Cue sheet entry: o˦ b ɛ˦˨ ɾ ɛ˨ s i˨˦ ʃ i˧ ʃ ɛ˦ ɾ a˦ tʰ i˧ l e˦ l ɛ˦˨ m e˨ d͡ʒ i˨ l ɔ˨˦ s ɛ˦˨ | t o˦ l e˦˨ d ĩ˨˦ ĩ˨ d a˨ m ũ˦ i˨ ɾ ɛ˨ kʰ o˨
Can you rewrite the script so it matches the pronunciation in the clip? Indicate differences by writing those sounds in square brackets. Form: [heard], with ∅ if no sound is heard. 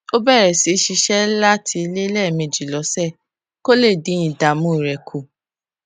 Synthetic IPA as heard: o˦ b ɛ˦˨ ɾ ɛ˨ s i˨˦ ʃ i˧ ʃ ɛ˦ [l] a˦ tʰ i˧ l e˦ l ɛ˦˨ m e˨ d͡ʒ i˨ l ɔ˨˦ s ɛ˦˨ | [k] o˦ l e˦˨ d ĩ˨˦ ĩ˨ d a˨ m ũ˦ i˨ ɾ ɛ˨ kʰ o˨